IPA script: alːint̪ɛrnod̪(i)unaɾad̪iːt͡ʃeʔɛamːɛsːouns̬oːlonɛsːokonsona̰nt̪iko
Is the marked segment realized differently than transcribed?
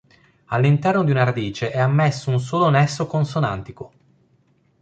no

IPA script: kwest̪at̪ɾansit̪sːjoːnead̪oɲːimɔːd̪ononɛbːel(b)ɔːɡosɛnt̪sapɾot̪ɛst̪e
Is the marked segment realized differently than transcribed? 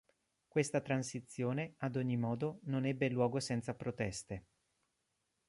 yes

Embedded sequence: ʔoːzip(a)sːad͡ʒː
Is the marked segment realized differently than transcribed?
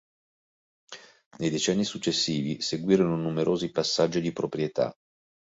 no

